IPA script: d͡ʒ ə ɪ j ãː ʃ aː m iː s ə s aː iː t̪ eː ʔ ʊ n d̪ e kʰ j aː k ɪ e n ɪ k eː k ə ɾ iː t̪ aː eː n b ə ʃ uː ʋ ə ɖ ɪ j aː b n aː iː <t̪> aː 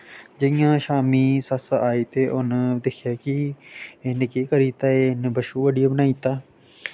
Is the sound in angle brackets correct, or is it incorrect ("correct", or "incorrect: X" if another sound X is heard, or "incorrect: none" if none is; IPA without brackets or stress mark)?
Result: correct